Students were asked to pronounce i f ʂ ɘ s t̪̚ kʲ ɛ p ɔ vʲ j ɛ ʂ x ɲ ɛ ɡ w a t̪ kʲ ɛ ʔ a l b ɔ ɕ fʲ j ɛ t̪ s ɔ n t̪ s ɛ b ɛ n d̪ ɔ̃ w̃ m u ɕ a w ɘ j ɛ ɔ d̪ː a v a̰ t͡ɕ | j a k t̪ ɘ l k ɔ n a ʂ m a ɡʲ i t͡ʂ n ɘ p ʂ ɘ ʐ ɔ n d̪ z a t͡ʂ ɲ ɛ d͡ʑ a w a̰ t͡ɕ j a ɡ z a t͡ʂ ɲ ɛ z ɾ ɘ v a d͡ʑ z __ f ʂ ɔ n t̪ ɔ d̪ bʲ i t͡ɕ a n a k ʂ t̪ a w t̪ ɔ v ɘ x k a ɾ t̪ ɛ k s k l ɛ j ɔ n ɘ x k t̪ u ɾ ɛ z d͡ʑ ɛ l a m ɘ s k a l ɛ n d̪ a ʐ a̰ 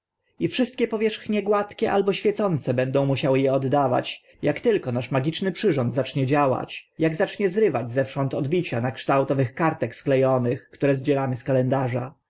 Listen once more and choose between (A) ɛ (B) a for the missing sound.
A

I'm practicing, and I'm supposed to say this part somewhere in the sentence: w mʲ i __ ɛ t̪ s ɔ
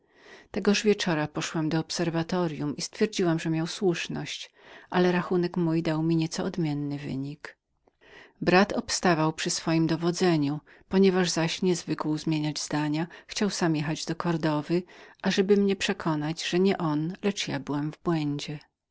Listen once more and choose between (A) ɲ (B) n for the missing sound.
A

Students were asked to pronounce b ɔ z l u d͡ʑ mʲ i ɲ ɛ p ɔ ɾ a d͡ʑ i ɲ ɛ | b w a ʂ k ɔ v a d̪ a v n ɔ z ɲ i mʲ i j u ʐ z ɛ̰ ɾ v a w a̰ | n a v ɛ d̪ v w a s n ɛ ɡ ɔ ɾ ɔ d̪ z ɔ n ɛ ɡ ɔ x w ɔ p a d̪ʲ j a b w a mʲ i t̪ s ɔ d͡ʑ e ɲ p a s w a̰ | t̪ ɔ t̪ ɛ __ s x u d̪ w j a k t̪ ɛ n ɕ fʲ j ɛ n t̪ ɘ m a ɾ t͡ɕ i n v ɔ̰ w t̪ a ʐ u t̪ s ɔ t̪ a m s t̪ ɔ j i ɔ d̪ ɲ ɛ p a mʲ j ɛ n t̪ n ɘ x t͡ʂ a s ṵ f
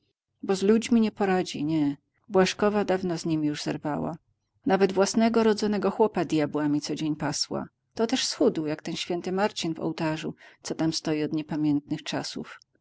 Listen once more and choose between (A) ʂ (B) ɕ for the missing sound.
A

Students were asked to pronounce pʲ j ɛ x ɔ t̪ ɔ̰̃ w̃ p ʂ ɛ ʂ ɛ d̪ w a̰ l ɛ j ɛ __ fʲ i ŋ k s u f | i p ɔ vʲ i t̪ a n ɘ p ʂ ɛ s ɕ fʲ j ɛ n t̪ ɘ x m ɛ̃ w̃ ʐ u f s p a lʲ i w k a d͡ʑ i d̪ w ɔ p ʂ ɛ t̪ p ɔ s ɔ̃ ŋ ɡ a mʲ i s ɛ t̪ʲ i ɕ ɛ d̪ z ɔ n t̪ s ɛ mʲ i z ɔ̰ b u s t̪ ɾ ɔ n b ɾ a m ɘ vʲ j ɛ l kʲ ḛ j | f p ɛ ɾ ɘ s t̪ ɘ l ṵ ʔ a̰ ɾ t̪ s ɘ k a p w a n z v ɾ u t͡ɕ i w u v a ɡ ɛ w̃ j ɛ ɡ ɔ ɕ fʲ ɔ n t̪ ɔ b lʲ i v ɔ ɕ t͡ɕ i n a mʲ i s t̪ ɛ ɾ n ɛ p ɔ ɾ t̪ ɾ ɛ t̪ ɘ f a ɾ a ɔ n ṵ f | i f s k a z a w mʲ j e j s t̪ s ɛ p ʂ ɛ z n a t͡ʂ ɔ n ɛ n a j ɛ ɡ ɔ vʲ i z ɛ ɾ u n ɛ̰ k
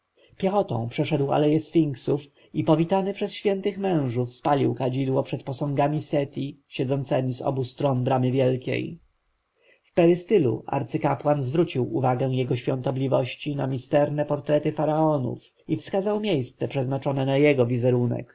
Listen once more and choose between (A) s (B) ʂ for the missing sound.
A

